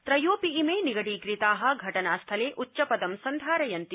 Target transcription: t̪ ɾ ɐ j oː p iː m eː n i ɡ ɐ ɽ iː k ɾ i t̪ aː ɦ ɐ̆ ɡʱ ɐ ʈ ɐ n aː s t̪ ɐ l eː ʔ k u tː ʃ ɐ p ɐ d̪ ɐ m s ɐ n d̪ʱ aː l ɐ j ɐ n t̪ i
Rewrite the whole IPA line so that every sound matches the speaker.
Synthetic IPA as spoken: t̪ ɾ ɐ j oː p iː m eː n i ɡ ɐ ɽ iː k ɾ i t̪ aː ɦ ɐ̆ ɡʱ ɐ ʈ ɐ n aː s t̪ʰ ɐ l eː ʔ ʔ u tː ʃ ɐ p ɐ d̪ ɐ m s ɐ n d̪ʱ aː ɾ ɐ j ɐ n t̪ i